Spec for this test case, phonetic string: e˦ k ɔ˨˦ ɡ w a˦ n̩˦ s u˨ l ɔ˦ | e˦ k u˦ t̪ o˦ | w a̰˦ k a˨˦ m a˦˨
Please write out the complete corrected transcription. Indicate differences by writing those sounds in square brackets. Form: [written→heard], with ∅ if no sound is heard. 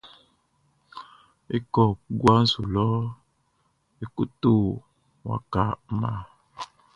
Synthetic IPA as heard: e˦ k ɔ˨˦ ɡ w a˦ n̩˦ s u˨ l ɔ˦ | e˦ k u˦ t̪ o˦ | w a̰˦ k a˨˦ m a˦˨